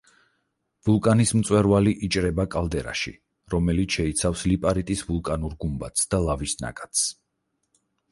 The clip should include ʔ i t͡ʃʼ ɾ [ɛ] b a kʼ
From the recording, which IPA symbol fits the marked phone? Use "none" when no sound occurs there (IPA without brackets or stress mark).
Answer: ɛ